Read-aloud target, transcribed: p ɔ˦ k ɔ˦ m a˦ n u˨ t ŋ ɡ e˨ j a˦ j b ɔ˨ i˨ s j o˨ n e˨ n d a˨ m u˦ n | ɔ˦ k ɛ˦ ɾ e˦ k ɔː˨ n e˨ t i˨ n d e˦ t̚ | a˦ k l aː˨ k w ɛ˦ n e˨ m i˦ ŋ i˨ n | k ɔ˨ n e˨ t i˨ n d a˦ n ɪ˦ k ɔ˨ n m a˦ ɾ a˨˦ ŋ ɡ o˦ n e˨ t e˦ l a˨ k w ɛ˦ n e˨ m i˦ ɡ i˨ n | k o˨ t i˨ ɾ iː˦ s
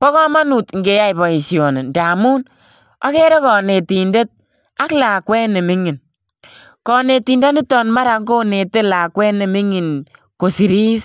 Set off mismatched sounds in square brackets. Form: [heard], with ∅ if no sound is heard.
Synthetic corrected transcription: p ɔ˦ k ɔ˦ m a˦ n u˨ t ŋ ɡ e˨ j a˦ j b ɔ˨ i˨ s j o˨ n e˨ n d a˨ m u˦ n | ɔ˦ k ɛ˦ ɾ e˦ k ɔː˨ n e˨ t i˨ n d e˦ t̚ | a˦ k l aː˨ k w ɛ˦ n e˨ m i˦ ŋ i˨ n | k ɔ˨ n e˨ t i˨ n d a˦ n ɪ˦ [t] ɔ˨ n m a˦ ɾ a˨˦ ŋ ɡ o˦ n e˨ t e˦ l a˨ k w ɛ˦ n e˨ m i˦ [ŋ] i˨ n | k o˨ [s] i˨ ɾ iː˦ s